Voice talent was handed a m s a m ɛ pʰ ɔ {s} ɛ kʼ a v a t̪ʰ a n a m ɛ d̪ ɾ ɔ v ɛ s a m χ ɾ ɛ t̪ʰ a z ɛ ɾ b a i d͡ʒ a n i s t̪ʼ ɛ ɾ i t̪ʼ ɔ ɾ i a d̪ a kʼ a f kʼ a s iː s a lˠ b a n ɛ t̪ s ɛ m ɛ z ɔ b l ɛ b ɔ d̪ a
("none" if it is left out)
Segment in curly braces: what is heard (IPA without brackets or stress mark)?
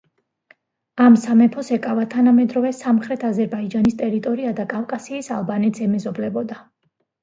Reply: s